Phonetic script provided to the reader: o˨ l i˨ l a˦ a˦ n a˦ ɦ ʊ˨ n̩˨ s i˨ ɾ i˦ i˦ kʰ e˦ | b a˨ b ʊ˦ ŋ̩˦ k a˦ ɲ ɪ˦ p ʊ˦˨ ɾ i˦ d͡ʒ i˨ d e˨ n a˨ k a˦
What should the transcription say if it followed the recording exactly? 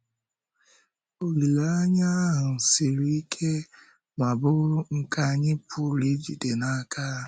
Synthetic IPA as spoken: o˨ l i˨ l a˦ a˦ ɲ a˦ ɦ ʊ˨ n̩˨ s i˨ ɾ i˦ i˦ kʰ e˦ | m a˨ b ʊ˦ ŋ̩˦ k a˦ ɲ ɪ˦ p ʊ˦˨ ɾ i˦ d͡ʒ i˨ d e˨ n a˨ k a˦

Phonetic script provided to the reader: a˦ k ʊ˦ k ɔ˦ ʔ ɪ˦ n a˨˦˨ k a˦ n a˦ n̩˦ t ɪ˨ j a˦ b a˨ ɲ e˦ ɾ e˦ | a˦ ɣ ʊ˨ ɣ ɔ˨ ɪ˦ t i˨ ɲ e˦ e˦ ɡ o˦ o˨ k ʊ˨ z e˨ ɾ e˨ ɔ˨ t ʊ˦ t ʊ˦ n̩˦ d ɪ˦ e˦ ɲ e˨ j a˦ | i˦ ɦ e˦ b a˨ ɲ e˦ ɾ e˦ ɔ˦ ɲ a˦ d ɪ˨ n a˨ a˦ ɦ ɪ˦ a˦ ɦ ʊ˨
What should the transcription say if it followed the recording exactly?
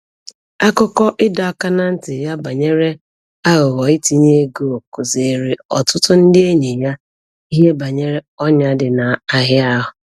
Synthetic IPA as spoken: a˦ k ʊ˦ k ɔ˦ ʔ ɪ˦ d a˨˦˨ k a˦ n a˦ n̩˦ t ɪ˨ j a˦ b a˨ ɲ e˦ ɾ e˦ | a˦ ɣ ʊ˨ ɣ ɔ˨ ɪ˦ t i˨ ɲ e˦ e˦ ɡ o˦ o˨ k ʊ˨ z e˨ ɾ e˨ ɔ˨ t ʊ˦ t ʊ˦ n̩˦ d ɪ˦ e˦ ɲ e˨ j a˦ | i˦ ɦ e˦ b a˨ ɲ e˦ ɾ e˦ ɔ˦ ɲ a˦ d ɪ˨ n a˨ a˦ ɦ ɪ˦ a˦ ɦ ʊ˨

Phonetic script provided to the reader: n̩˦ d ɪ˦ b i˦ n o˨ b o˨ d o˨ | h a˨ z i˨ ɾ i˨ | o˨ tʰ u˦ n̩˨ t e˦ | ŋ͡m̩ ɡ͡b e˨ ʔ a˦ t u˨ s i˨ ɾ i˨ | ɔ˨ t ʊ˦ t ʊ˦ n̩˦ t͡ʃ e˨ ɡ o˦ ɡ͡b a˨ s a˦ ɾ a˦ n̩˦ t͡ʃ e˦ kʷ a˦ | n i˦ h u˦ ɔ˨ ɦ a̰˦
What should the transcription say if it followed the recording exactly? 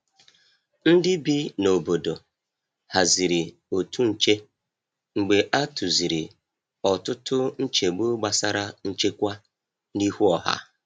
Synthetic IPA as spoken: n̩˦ d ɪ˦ b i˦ n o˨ b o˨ d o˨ | h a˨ z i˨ ɾ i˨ | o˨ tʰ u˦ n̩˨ t͡ʃ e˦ | ŋ͡m̩ ɡ͡b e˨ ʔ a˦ t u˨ z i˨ ɾ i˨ | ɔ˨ t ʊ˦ t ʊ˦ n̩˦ t͡ʃ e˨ ɡ͡b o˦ ɡ͡b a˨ s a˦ ɾ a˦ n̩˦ t͡ʃ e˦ kʷ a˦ | n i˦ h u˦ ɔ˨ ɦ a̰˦

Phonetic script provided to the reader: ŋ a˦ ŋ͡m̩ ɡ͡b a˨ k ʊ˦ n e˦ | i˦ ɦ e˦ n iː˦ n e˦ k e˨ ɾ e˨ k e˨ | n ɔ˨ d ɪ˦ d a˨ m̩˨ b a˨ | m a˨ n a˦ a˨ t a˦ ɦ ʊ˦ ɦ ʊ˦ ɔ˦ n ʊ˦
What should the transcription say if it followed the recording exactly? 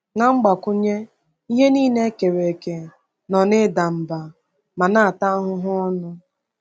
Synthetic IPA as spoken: ŋ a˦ ŋ͡m̩ ɡ͡b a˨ k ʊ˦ ɲ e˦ | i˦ ɦ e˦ n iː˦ n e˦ k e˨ ɾ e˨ k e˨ | n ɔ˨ n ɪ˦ d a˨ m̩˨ b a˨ | m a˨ n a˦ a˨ t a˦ ɦ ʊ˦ ɦ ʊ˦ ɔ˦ n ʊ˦

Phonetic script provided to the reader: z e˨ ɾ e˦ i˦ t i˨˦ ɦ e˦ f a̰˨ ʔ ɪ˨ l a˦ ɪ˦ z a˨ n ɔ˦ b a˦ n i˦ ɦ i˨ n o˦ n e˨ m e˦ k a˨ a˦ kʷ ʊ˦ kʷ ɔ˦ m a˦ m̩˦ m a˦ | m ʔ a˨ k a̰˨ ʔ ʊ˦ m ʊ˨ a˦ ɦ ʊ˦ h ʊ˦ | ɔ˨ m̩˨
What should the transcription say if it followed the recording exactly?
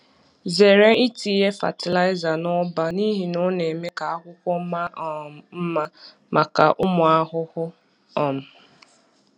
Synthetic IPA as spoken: z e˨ ɾ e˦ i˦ t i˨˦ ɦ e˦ f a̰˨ t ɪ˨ l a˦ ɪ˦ z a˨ n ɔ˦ b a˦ n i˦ ɦ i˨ n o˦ n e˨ m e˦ k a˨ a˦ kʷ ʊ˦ kʷ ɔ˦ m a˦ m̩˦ m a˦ | m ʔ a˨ k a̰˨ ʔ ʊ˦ m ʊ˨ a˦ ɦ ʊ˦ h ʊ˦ | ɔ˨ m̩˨

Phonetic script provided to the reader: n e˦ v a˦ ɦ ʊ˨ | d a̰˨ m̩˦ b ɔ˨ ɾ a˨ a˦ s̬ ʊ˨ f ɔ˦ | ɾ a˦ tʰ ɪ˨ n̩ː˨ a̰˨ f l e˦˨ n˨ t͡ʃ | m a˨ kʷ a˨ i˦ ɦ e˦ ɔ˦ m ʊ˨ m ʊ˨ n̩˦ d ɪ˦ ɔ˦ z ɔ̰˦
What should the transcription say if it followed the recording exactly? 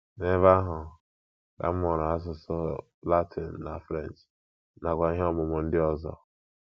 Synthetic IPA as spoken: n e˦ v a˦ ɦ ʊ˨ | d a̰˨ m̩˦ m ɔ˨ ɾ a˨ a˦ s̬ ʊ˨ s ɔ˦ | l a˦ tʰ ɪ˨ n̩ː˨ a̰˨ f ɾ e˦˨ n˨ t͡ʃ | n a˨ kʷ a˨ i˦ ɦ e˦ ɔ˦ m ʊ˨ m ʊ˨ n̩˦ d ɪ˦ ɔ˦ z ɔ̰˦

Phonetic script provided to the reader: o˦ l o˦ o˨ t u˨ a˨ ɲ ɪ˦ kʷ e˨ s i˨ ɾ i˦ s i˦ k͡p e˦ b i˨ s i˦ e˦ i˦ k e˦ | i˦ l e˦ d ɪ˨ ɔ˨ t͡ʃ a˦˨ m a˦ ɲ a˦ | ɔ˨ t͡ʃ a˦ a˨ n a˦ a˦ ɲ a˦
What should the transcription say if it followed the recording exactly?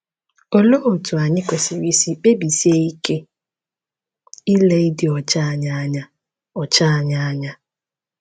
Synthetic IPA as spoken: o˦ l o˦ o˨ t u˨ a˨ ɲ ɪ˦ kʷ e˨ s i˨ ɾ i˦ s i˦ k͡p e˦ b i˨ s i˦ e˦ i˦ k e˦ | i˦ l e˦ d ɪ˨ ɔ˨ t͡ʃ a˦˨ ɲ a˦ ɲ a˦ | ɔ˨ t͡ʃ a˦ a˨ ɲ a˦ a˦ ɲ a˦

